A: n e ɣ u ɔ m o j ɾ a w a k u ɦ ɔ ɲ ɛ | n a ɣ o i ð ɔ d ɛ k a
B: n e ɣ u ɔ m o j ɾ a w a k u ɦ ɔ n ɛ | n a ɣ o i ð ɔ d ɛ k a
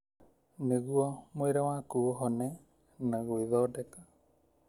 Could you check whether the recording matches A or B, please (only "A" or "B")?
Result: B